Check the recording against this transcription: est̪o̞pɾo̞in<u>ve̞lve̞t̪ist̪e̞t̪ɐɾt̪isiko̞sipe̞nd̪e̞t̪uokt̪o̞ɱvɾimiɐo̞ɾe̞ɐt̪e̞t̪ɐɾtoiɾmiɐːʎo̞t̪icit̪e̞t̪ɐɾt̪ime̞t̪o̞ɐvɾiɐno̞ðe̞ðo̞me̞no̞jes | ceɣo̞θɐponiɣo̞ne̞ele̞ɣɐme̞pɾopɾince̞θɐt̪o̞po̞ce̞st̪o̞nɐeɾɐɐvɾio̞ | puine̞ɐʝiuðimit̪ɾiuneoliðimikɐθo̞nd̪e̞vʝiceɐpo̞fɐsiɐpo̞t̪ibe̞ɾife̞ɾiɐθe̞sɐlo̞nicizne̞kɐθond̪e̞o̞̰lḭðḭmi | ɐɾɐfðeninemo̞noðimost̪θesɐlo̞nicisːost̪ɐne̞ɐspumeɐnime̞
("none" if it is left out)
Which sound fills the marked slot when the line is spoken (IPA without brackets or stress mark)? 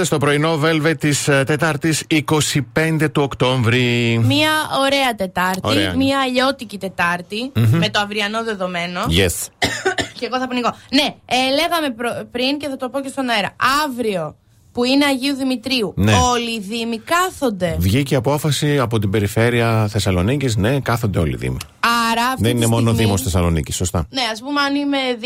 o